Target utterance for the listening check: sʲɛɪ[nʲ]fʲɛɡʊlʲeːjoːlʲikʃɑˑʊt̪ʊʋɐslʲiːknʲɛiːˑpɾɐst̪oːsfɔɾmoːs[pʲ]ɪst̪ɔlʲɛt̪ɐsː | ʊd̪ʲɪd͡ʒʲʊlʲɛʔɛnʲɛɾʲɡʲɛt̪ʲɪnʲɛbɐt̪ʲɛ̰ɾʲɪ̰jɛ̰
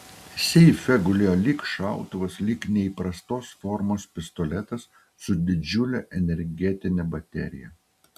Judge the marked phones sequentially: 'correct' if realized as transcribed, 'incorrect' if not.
incorrect: none, correct

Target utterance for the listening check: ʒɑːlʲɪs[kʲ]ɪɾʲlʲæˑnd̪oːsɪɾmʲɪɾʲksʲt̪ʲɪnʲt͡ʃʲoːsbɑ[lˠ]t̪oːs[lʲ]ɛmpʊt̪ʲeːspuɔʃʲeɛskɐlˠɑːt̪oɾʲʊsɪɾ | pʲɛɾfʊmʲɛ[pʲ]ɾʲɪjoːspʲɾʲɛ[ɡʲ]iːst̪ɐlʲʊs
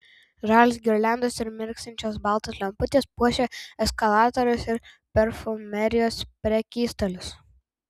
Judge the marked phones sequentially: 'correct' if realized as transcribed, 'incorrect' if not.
incorrect: ɡʲ, correct, correct, incorrect: none, incorrect: kʲ

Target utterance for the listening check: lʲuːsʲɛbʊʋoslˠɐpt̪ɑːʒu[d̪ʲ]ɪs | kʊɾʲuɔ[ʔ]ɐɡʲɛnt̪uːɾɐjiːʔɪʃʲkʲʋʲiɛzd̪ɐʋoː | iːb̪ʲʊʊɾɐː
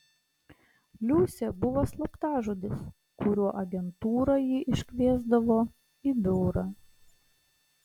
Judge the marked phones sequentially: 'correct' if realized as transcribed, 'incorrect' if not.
correct, correct

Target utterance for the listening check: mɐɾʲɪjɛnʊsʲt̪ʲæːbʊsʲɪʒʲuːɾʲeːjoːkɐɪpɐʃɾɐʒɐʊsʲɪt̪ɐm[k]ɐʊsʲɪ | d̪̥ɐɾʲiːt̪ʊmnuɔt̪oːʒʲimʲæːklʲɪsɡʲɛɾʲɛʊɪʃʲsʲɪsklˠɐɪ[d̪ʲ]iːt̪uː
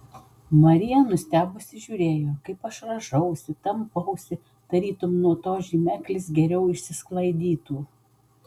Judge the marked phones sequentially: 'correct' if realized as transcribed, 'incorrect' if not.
incorrect: p, correct

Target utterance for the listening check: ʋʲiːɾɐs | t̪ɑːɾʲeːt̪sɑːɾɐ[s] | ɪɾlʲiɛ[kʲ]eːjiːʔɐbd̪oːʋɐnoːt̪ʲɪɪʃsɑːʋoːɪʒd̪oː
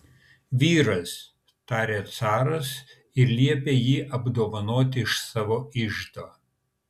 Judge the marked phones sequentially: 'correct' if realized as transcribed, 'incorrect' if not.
correct, incorrect: pʲ

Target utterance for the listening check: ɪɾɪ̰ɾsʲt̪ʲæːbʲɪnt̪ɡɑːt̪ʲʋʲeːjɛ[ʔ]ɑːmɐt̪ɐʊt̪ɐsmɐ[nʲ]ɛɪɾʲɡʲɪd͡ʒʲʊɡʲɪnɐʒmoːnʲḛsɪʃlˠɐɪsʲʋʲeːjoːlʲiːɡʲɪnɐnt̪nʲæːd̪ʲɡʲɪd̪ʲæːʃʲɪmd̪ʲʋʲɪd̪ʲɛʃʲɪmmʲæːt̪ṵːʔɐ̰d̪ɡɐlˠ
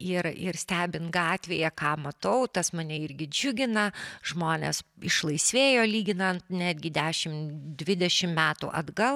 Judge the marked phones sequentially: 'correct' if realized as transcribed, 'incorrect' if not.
incorrect: k, correct

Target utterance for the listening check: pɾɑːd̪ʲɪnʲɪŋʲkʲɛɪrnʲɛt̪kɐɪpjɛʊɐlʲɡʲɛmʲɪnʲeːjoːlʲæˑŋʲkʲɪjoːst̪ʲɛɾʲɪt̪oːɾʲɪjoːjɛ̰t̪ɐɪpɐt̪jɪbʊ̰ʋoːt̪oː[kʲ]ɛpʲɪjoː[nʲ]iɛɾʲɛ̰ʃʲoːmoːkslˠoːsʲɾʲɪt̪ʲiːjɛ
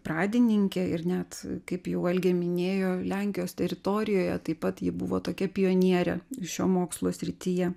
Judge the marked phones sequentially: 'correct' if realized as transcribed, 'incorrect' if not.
correct, correct

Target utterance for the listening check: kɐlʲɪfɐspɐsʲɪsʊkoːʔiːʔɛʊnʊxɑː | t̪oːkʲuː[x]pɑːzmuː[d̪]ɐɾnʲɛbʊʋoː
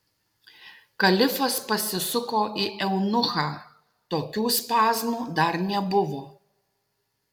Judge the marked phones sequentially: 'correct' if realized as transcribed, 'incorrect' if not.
incorrect: s, correct

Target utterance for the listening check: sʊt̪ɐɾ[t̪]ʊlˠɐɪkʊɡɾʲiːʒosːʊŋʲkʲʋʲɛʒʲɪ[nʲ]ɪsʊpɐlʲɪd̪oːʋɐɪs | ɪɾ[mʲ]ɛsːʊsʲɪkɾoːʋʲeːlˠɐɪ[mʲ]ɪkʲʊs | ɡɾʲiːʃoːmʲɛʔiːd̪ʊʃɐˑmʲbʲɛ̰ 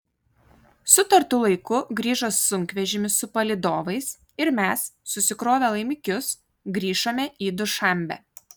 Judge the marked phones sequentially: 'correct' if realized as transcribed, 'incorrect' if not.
correct, incorrect: mʲ, correct, correct

